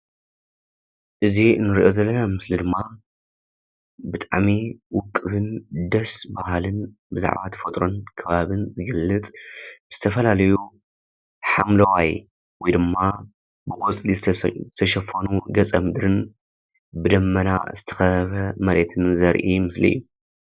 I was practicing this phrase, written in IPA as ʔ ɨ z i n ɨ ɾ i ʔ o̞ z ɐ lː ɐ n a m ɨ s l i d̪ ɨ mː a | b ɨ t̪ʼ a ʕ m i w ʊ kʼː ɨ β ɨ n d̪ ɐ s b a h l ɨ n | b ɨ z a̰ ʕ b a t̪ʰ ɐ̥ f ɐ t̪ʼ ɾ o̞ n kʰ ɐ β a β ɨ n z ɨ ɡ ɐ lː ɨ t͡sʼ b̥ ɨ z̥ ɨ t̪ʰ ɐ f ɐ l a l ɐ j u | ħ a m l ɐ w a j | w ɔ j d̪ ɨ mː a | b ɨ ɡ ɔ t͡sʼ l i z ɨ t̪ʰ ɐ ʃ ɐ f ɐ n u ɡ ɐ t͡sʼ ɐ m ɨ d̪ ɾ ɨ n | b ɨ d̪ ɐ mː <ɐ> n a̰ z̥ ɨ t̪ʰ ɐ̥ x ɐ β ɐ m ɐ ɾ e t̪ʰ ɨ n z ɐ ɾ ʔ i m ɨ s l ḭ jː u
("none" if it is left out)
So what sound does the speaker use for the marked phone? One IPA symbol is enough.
ɐ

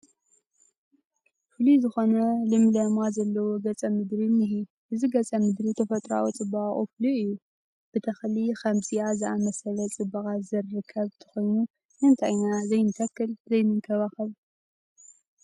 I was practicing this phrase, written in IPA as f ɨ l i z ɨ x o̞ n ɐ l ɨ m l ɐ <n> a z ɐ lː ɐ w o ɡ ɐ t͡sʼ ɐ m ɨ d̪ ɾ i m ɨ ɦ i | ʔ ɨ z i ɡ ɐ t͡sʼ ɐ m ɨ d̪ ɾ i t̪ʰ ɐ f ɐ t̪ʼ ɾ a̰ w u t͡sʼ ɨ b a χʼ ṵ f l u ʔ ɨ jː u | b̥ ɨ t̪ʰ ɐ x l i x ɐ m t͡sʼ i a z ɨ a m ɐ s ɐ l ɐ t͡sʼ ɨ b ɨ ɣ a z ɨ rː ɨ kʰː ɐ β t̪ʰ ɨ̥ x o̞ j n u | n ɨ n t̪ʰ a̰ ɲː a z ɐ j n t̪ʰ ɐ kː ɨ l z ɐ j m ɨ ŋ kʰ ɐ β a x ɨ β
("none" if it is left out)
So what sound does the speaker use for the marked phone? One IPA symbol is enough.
m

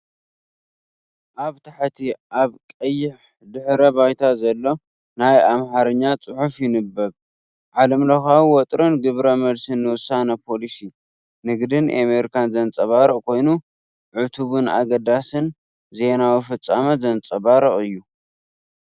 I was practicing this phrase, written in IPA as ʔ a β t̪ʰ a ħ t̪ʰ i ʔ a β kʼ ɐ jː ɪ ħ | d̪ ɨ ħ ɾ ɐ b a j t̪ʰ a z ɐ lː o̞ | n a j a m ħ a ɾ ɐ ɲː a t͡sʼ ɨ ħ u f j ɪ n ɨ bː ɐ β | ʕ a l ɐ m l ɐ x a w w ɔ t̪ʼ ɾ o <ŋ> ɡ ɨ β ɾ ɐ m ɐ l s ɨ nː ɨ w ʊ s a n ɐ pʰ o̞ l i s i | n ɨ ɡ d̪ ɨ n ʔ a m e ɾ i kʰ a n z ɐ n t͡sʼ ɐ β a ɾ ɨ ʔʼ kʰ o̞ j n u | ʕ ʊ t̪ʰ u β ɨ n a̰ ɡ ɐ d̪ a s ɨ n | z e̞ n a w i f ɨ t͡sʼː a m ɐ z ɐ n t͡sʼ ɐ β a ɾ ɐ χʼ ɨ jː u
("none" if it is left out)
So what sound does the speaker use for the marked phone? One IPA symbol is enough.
n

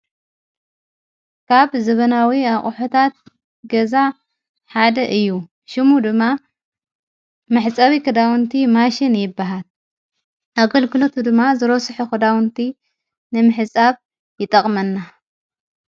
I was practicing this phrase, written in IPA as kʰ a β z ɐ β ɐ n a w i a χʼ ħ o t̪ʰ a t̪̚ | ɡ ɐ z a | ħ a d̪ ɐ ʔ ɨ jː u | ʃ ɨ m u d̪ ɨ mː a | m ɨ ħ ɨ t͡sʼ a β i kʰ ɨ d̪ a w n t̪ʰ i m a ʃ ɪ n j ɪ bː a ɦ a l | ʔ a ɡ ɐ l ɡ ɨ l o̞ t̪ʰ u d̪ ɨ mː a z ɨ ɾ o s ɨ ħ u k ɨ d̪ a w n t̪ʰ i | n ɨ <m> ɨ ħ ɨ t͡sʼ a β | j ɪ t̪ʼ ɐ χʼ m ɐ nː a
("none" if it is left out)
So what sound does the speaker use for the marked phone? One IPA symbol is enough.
m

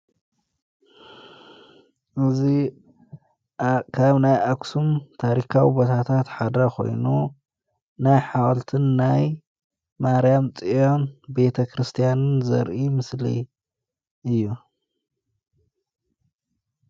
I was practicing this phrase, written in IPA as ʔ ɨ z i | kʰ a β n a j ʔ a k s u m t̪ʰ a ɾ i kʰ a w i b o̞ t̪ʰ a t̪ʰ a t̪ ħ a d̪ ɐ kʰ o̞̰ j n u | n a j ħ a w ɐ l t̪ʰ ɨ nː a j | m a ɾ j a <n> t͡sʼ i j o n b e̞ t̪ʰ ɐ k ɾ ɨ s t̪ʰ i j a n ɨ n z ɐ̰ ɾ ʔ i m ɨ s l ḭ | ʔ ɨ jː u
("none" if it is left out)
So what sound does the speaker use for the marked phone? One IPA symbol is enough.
m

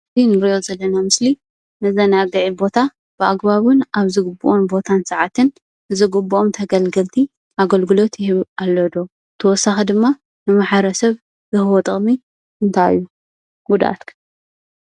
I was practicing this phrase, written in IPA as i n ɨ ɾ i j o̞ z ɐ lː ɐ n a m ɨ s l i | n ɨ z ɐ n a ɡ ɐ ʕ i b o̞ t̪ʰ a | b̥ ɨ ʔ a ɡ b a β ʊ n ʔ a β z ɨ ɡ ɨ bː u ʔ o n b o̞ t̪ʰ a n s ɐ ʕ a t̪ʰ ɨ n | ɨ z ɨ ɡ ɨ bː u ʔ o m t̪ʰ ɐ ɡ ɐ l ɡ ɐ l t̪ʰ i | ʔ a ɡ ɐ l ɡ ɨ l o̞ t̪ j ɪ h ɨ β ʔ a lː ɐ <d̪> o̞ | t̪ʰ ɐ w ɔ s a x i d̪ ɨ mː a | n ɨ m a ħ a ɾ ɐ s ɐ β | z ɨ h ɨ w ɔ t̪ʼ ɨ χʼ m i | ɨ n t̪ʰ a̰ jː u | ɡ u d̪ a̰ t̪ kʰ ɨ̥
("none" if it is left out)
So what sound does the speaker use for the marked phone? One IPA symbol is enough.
d̪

